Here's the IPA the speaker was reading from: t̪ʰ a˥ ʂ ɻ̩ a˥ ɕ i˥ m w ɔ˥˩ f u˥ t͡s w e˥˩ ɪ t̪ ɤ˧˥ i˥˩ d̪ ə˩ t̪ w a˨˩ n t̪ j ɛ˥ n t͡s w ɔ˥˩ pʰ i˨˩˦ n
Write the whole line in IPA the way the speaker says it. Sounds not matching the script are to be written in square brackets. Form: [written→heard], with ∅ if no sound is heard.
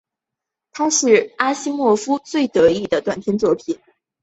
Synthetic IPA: t̪ʰ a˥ ʂ ɻ̩ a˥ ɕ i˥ m w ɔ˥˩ f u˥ t͡s w e˥˩ ɪ t̪ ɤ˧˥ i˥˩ d̪ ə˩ t̪ w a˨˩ n [t̪→t̪ʰ] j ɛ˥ n t͡s w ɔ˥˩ pʰ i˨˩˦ n